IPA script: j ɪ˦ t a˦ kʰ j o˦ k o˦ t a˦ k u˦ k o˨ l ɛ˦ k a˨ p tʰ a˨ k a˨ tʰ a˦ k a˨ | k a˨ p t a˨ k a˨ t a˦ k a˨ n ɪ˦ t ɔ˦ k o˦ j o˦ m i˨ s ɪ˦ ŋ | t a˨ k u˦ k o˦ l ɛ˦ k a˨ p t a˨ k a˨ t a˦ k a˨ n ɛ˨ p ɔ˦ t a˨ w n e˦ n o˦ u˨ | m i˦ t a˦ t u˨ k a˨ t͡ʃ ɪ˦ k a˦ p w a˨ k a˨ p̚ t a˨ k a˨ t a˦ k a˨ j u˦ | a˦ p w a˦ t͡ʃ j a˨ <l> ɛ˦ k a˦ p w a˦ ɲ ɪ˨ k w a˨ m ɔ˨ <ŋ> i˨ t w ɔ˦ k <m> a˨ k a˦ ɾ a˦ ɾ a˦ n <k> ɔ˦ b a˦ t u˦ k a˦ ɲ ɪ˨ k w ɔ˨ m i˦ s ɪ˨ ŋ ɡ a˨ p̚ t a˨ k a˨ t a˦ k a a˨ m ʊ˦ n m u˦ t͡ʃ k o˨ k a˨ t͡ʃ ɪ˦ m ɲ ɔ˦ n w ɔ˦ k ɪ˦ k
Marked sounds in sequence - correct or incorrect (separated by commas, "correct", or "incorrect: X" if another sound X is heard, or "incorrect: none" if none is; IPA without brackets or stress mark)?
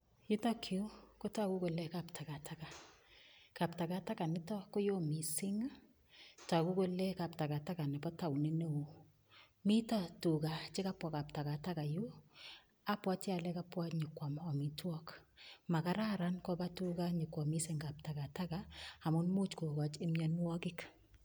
correct, incorrect: m, correct, correct